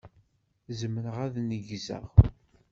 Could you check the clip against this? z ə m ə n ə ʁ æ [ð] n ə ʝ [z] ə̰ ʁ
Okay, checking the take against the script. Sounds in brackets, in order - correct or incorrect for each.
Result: correct, correct

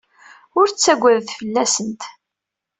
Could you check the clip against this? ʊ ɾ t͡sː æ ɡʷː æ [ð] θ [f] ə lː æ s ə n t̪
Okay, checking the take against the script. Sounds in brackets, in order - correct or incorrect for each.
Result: correct, correct

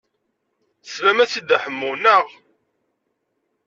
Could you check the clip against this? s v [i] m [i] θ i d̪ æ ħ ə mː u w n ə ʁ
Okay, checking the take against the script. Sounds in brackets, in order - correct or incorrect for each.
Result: incorrect: æ, incorrect: æ

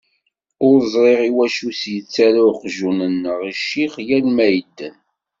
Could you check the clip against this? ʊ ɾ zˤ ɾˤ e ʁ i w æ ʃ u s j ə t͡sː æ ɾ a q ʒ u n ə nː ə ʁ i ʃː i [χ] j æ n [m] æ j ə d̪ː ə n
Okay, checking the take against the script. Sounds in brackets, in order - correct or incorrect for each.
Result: correct, correct

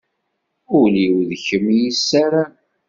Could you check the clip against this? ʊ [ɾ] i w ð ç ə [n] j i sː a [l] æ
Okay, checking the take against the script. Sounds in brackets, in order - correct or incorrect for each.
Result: incorrect: l, incorrect: m, incorrect: ɾ

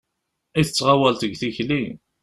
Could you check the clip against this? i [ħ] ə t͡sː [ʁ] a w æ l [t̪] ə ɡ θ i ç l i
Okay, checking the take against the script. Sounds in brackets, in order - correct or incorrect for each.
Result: incorrect: θ, correct, correct

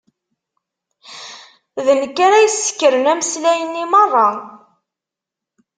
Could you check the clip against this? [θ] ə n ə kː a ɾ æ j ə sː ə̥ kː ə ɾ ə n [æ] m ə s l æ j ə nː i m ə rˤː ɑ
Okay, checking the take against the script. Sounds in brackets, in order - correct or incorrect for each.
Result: incorrect: ð, correct

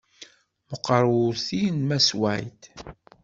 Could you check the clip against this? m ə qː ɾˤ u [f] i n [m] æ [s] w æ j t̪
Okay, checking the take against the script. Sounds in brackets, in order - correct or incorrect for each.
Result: incorrect: θ, correct, correct

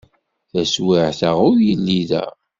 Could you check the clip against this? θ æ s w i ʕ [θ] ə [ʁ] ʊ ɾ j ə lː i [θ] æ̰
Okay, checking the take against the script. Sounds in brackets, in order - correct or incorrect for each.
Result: correct, correct, incorrect: ð

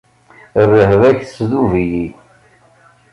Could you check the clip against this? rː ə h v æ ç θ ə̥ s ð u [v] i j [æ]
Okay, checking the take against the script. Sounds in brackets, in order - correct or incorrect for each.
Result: correct, incorrect: i

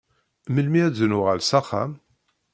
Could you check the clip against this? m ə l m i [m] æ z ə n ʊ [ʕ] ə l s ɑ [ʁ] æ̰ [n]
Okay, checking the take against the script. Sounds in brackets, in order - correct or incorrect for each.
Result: incorrect: none, incorrect: ʁ, incorrect: χ, incorrect: m

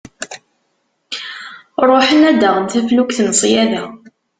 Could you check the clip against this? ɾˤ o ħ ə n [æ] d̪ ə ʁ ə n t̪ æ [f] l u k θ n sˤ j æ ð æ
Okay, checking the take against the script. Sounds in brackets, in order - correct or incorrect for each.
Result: correct, correct

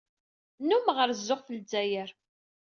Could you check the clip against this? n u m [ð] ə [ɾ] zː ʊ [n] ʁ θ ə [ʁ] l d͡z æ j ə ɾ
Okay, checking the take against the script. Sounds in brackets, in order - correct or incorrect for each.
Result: incorrect: ʁ, correct, incorrect: none, incorrect: none

